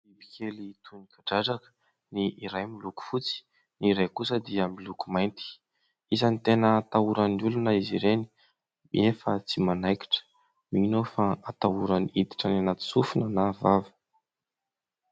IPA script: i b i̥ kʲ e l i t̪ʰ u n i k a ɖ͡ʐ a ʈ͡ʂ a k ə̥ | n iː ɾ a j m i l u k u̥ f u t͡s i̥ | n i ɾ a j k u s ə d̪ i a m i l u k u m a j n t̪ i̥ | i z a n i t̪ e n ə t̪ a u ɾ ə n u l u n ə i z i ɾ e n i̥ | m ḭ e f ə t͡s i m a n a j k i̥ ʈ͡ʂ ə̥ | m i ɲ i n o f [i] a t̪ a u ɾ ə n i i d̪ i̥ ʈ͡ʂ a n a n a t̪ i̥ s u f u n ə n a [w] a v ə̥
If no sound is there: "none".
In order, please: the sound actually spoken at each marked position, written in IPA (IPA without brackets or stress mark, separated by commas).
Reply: a, v